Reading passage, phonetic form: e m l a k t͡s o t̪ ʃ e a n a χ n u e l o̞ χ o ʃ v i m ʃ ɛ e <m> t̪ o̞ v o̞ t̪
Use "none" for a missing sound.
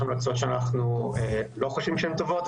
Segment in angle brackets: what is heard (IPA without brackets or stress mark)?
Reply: m